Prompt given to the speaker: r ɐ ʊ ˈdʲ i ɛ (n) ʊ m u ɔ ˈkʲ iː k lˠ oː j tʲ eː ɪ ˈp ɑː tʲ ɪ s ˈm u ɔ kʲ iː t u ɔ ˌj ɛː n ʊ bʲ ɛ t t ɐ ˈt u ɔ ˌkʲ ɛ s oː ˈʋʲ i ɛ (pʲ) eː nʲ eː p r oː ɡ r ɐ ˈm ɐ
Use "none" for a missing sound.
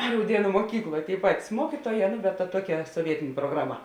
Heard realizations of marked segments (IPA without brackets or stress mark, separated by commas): n, tʲ